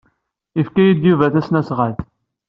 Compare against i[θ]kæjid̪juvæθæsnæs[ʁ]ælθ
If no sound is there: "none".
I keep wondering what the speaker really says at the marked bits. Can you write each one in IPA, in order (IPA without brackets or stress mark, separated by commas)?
f, ʁ